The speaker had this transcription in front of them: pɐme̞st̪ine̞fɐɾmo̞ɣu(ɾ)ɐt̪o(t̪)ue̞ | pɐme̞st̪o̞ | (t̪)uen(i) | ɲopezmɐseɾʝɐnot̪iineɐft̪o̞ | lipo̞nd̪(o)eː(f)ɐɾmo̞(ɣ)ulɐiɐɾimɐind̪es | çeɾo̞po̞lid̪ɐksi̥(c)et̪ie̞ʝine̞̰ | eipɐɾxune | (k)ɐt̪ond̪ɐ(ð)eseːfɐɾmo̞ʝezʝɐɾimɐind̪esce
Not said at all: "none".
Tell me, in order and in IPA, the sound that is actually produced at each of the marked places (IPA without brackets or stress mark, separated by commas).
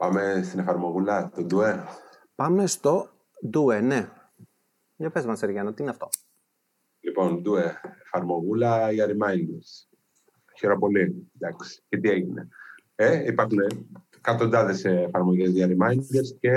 l, d̪, d̪, e, u, f, ɣ, c, k, ð